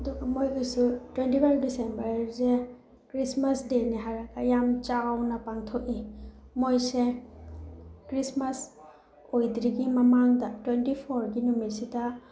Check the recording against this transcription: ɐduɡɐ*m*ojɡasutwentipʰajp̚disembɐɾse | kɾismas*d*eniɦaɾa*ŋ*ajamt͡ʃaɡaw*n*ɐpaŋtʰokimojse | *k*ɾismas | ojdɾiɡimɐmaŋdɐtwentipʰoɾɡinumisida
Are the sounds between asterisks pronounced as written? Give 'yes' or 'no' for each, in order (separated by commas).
yes, yes, no, yes, yes